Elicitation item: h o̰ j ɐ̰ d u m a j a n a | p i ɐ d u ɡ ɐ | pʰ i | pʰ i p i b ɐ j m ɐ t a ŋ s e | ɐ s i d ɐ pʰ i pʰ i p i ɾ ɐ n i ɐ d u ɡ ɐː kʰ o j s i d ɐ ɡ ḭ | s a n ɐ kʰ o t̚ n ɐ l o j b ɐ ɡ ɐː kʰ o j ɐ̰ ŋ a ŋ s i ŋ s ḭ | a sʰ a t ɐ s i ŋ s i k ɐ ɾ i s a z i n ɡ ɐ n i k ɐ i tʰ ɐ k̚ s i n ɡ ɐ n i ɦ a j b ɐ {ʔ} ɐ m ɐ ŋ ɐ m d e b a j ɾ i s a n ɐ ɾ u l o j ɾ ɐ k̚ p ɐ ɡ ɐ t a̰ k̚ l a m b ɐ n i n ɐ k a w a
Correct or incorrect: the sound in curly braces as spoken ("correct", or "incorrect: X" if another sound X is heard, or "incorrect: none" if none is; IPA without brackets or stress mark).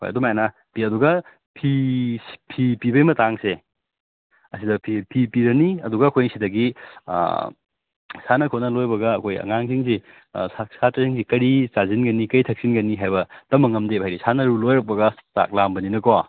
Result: incorrect: t